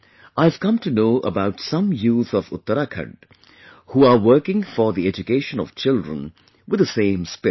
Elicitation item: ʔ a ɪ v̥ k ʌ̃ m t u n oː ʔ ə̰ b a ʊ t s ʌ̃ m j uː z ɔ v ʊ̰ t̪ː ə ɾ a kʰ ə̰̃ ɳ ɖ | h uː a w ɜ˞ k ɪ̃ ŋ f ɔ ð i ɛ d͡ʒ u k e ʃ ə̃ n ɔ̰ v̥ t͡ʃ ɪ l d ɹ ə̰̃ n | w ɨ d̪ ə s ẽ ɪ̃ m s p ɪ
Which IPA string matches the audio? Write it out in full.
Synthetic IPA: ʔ a ɪ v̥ k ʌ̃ m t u n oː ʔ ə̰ b a ʊ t s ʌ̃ m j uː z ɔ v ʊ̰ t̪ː ə ɾ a kʰ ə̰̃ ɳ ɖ | h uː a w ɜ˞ k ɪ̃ ŋ f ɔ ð i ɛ d͡ʒ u k e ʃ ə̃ n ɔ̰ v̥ t͡ʃ ɪ l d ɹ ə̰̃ n | w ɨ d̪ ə s ẽ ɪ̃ m s p ɪ